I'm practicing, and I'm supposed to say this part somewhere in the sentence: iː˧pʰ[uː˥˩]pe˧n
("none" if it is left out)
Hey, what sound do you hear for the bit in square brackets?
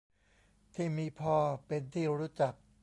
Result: ɔː˥˩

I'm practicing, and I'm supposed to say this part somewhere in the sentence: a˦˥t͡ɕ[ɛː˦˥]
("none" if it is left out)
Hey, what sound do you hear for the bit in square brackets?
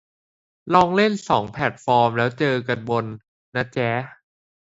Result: ɛː˦˥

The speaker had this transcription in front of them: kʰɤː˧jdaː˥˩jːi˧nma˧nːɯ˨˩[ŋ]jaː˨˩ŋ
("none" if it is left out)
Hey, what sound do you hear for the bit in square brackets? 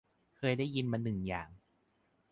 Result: ŋ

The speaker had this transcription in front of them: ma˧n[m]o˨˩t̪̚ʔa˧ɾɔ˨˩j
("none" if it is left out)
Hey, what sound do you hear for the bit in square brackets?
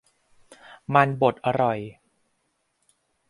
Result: b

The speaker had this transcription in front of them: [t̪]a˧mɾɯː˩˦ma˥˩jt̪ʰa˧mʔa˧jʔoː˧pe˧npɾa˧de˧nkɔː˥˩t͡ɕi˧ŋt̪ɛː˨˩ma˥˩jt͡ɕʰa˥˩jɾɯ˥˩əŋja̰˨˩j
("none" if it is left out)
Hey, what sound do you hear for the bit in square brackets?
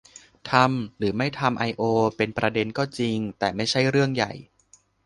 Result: t̪ʰ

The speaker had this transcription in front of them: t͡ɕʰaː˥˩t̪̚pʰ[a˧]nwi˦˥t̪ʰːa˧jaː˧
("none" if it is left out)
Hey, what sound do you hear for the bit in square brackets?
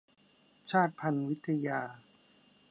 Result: a˧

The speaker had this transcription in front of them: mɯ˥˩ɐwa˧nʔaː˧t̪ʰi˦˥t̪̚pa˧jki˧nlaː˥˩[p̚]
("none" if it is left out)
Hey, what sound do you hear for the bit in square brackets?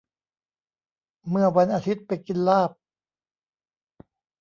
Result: p̚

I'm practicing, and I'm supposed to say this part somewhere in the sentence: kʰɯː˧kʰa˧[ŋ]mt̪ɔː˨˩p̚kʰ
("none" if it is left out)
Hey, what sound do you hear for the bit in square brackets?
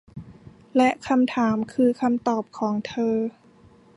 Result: none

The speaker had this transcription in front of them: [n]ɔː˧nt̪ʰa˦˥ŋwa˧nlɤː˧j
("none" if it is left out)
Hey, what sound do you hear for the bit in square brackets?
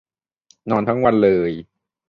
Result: n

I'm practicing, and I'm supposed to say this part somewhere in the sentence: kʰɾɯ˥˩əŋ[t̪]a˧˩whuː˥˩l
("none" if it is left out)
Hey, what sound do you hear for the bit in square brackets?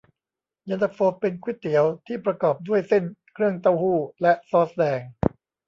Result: t̪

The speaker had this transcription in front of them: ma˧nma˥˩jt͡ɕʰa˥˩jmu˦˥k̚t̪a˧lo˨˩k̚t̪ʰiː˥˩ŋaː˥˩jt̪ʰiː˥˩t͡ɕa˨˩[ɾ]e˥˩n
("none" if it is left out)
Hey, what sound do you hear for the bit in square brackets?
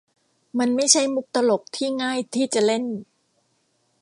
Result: l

